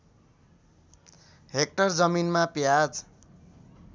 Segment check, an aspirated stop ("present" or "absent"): absent